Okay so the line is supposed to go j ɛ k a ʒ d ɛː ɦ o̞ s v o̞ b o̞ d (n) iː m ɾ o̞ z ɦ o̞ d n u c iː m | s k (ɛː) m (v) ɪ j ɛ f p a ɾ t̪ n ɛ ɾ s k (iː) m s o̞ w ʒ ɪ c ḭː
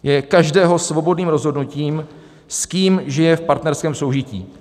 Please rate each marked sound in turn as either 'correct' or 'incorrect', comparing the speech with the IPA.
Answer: correct, incorrect, incorrect, incorrect

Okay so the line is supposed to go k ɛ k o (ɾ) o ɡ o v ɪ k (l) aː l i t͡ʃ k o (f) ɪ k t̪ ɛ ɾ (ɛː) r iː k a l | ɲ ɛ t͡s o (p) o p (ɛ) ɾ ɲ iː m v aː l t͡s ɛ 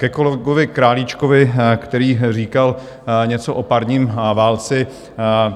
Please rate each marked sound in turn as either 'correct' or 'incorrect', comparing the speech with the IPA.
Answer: incorrect, incorrect, incorrect, incorrect, incorrect, incorrect

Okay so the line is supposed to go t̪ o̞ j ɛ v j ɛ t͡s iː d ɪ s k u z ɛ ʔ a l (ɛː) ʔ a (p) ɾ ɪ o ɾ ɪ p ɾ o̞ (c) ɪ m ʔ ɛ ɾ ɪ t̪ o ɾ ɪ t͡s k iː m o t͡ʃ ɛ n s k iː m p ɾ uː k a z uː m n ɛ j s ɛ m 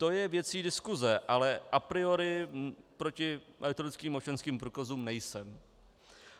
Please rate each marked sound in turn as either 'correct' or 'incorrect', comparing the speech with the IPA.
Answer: incorrect, correct, correct

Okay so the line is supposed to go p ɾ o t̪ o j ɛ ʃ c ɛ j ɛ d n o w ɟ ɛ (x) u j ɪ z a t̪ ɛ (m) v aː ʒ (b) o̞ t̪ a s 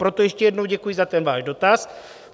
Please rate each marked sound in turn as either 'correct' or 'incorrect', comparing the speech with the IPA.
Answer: incorrect, incorrect, incorrect

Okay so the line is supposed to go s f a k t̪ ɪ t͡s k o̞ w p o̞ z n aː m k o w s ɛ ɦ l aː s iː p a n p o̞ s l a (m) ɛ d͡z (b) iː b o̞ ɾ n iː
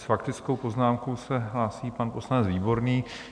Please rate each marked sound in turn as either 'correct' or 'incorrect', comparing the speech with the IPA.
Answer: incorrect, incorrect

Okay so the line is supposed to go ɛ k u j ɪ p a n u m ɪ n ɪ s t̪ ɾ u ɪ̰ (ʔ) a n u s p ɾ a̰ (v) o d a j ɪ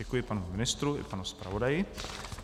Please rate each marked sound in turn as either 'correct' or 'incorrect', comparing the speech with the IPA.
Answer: incorrect, correct

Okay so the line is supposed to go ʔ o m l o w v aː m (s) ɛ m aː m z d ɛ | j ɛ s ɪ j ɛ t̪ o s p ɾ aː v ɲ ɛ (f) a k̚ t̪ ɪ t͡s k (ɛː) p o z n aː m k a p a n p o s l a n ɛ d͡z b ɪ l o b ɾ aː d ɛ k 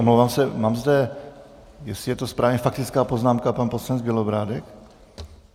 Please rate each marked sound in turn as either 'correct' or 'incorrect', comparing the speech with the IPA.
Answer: correct, correct, incorrect

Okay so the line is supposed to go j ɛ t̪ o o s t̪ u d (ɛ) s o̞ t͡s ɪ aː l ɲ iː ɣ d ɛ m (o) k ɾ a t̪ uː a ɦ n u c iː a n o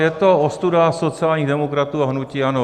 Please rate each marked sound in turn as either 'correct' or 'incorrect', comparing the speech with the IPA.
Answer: incorrect, correct

